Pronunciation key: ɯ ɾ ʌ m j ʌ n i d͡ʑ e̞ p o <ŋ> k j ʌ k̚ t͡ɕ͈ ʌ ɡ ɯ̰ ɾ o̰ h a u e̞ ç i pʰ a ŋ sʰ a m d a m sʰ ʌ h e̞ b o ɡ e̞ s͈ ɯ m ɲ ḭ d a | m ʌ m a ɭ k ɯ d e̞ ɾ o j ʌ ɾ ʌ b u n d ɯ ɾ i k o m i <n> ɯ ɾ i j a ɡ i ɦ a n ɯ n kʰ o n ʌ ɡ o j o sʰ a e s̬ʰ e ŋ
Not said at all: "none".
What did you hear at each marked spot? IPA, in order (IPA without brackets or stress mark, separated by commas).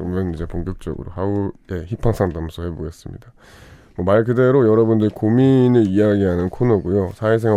ŋ, n